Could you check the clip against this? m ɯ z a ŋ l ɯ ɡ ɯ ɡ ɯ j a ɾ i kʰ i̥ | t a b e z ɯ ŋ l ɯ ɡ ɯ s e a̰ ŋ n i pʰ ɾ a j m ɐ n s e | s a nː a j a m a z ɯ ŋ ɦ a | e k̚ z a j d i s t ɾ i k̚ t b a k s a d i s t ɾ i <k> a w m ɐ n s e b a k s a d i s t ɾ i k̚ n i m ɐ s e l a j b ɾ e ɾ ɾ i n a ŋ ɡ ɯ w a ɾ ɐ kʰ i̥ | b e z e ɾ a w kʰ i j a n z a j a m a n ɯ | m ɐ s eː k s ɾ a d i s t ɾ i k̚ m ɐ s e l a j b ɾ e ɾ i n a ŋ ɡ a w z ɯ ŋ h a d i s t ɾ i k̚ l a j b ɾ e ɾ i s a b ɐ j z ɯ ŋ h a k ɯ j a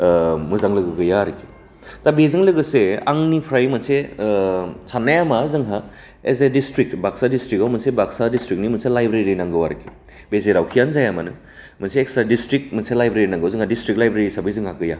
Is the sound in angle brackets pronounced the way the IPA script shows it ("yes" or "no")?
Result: yes